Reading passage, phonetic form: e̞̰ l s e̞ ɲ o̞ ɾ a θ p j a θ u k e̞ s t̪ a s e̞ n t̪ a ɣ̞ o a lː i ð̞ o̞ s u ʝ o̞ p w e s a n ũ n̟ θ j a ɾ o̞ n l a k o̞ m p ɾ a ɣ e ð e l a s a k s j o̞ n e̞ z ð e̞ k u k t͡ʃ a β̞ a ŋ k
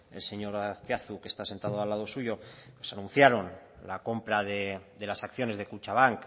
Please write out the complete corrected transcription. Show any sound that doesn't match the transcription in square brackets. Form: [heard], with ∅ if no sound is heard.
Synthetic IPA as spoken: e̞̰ l s e̞ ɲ o̞ ɾ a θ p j a θ u k e̞ s t̪ a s e̞ n t̪ a [ð̞] o a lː [a] ð̞ o̞ s u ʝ o̞ p w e s a n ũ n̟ θ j a ɾ o̞ n l a k o̞ m p ɾ a [ð] e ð e l a s a k [θ] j o̞ n e̞ z ð e̞ k u [∅] t͡ʃ a β̞ a ŋ k